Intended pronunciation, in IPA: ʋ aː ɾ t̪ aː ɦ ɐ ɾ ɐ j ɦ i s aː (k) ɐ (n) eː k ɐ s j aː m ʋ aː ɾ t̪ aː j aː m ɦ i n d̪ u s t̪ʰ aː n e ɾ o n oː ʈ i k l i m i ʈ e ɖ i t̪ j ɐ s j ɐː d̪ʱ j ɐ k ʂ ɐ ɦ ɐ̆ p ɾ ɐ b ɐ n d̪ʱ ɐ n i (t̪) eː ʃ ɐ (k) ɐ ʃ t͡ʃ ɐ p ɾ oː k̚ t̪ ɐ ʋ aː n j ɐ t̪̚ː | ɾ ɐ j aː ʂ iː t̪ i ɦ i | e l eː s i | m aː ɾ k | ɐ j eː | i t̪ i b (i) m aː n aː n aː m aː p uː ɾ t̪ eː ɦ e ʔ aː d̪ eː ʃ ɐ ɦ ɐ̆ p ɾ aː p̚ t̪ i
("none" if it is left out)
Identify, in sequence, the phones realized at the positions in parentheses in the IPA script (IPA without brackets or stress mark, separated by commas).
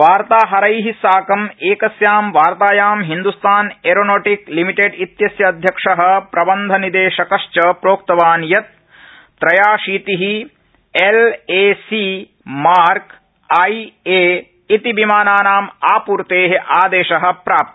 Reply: k, m, d̪, k, i